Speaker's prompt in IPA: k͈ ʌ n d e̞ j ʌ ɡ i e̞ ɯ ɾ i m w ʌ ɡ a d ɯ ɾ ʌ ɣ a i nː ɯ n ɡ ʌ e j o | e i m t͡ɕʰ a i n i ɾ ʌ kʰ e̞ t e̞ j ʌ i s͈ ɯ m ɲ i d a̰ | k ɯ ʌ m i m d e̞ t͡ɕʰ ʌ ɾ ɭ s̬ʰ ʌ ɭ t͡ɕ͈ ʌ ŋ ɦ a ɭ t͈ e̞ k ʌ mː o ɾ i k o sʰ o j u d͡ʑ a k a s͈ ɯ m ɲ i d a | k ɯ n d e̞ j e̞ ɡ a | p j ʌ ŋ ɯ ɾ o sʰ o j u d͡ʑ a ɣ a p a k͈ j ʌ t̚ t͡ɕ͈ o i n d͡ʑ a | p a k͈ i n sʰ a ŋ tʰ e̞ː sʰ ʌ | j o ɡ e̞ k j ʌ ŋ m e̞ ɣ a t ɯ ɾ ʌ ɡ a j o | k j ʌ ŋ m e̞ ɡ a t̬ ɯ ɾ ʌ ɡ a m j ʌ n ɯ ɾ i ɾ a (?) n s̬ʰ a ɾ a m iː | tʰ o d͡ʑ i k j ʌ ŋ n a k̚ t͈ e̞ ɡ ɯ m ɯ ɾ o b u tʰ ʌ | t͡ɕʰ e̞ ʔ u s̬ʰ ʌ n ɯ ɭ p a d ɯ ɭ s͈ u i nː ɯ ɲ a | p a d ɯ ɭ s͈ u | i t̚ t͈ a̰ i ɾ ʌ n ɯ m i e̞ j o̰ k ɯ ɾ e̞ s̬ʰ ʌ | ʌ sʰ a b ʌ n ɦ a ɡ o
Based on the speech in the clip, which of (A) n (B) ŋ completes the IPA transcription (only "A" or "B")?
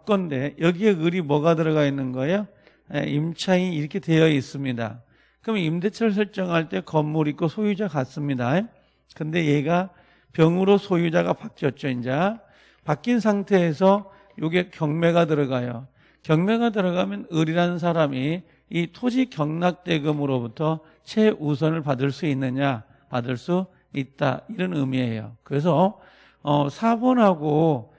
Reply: A